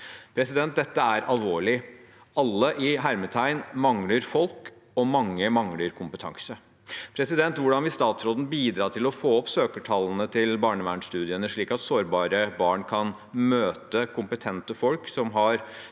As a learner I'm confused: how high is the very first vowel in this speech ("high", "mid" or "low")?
mid